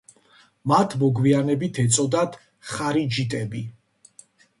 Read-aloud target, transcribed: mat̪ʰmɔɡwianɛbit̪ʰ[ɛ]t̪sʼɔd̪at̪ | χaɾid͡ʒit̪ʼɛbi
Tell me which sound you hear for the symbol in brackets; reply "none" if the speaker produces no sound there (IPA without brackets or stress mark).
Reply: ɛ